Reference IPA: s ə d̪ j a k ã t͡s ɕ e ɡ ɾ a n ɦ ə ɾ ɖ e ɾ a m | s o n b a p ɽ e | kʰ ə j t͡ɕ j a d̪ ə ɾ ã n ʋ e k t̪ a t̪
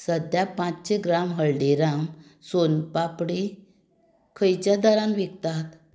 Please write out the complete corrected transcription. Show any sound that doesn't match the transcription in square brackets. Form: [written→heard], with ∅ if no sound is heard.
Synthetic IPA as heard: s ə d̪ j a [k→p] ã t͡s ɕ e ɡ ɾ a [n→m] ɦ ə [ɾ→ɭ] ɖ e ɾ a m | s o n [b→p] a p ɽ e | kʰ ə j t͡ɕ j a d̪ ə ɾ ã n ʋ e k t̪ a t̪